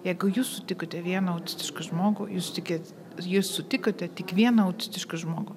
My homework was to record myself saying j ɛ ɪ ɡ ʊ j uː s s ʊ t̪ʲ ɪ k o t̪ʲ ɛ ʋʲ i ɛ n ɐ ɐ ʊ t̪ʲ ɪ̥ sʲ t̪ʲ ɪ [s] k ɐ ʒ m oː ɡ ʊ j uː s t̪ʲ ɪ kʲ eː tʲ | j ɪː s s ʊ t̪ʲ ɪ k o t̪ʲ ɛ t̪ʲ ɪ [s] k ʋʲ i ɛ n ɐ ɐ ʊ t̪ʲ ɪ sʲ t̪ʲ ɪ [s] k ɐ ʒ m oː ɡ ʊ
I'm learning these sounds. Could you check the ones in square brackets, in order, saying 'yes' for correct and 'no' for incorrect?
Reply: no, no, no

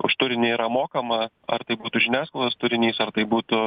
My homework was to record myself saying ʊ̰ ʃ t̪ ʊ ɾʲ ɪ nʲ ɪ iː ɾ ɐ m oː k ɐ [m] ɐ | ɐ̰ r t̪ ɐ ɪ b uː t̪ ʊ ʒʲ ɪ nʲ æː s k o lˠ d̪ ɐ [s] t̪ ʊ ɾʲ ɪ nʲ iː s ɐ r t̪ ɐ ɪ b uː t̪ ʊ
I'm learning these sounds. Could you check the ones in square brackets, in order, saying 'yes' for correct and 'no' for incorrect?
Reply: yes, yes

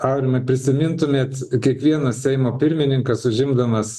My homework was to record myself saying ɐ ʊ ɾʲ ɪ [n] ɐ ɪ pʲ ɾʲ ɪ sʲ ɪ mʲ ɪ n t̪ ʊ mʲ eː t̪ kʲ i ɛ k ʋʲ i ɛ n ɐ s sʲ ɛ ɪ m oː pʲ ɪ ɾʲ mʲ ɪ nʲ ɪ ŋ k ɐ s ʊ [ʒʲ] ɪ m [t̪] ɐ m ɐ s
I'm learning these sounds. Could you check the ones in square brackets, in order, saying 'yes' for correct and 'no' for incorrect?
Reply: no, yes, no

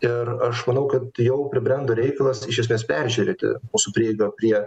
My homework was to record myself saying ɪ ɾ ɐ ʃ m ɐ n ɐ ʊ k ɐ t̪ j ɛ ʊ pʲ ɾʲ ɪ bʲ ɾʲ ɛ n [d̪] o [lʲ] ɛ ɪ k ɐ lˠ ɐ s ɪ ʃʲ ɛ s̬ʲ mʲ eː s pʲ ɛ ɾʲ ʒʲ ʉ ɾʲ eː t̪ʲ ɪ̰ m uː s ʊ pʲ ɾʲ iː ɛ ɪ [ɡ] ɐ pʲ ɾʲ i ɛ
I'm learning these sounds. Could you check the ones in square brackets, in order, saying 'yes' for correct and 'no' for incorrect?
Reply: yes, no, yes

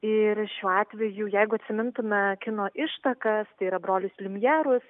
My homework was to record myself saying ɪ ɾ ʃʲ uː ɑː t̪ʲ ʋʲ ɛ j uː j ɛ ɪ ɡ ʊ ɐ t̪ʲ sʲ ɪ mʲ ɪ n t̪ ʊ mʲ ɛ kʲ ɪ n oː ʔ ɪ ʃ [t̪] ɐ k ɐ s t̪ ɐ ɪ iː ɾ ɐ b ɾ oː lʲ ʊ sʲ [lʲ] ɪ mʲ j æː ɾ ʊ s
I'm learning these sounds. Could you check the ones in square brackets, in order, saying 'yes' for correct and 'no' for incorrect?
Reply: yes, yes

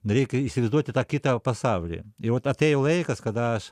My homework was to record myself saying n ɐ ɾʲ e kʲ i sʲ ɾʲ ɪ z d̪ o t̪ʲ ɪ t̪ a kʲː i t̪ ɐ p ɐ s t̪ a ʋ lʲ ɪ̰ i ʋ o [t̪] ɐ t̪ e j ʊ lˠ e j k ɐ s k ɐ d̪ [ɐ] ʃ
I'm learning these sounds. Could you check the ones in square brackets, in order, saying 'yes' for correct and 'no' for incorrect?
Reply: yes, no

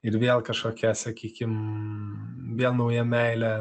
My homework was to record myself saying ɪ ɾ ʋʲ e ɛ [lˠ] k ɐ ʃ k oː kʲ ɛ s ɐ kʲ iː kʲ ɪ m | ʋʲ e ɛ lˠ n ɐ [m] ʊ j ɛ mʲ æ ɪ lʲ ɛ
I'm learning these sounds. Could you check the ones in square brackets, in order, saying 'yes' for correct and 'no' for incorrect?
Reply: yes, no

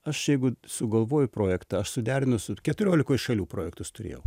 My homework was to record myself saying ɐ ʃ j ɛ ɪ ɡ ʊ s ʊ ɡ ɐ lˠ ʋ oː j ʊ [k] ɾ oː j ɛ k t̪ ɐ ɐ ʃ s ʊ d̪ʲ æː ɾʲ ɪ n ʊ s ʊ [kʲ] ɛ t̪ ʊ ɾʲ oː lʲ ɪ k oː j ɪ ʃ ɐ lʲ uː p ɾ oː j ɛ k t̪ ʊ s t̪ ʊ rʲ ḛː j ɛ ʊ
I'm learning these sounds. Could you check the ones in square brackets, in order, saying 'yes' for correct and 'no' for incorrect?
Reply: no, yes

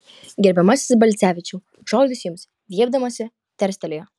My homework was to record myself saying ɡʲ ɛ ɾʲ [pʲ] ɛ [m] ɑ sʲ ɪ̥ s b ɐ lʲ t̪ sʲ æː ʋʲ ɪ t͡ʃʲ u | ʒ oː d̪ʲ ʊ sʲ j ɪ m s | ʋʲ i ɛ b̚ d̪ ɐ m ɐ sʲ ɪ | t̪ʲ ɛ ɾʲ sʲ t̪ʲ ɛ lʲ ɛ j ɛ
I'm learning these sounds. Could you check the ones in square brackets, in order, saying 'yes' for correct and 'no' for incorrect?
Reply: no, yes

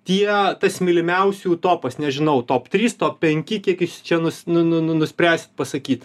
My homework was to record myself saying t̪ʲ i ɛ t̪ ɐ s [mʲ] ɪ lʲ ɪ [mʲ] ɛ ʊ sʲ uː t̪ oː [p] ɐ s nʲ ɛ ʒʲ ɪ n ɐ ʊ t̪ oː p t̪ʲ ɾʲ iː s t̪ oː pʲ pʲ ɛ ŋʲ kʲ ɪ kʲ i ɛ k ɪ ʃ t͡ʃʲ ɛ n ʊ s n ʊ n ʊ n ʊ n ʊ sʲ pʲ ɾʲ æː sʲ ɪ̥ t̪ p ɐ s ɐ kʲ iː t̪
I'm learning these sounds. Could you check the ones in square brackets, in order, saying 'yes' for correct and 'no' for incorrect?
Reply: yes, yes, yes

